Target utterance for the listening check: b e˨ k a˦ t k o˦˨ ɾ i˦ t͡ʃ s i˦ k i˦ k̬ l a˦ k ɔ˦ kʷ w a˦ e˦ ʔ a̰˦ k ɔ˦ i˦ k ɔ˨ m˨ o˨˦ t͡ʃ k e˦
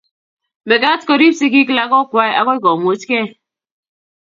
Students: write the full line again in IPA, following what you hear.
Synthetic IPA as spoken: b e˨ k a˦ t k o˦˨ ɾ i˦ s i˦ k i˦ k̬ l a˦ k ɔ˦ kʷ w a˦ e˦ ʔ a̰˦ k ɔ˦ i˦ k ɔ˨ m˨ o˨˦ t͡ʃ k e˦